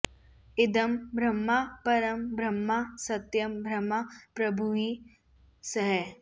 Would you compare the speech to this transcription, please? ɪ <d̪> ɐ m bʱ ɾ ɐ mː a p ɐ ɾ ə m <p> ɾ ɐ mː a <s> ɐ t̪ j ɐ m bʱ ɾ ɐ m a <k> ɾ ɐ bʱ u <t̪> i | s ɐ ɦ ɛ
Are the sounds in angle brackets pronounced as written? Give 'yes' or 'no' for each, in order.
yes, no, yes, no, no

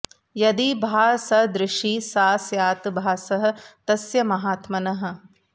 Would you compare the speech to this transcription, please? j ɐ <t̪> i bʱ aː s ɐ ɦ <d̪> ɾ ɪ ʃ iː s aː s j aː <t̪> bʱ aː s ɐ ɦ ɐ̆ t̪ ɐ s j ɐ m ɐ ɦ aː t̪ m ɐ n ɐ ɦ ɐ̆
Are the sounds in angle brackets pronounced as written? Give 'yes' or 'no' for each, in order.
no, yes, yes

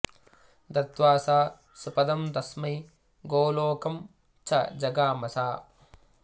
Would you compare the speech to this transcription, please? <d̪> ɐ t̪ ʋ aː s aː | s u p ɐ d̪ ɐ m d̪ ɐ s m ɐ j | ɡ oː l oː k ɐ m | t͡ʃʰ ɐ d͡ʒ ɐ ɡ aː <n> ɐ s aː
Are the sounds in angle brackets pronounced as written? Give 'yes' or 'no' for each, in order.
yes, no

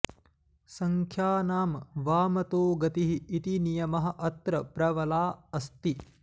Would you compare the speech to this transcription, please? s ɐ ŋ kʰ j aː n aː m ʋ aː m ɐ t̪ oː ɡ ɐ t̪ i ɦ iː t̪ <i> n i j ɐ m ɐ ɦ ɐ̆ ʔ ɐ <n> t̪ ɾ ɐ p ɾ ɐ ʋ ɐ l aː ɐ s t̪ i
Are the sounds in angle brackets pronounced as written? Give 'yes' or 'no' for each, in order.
yes, no

